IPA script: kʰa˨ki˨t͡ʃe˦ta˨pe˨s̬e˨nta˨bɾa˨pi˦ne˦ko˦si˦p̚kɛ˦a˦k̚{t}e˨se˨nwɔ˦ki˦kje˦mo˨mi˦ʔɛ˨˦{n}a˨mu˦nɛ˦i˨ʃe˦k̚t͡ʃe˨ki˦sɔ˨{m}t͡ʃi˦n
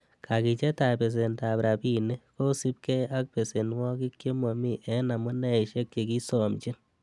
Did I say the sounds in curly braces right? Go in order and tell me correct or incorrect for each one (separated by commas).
incorrect, correct, correct